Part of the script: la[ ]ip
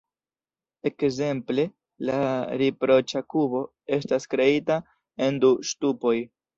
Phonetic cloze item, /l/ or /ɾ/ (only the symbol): ɾ